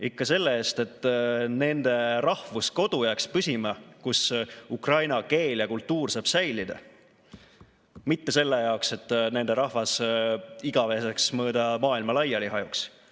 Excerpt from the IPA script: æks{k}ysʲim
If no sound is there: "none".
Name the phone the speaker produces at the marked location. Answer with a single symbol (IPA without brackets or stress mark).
p